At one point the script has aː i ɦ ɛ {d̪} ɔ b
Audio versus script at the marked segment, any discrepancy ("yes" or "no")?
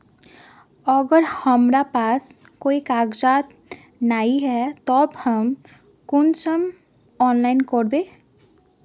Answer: yes